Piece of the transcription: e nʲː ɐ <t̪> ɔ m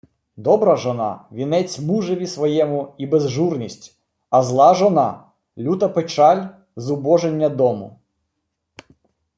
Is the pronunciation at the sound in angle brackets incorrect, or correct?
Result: incorrect